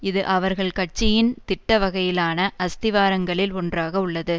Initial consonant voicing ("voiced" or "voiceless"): voiced